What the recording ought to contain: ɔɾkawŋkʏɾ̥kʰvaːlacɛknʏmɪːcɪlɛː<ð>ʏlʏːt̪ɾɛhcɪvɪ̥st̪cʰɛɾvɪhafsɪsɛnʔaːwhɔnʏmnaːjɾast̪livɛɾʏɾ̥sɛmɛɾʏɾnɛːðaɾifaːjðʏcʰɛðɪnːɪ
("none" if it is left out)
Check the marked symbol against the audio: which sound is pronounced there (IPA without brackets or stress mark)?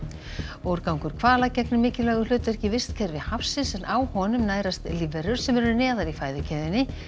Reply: ɣ